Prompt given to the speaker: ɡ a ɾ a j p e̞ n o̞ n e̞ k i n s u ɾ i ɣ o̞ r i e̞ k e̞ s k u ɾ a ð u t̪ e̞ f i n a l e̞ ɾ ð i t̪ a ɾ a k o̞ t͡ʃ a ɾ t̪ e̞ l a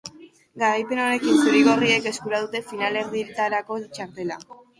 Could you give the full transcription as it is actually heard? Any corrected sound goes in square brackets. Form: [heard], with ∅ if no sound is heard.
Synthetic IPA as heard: ɡ a ɾ a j p e̞ n o̞ n e̞ k i n s u ɾ i ɣ o̞ r i e̞ k e̞ s k u ɾ a ð u t̪ e̞ f i n a l e̞ ɾ ð i t̪ a ɾ a k o̞ t͡ʃ a ɾ t̪ e̞ l a